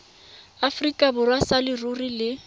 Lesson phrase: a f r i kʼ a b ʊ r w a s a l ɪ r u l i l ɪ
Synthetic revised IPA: a f r i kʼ a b ʊ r w a s a l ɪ r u r i l ɪ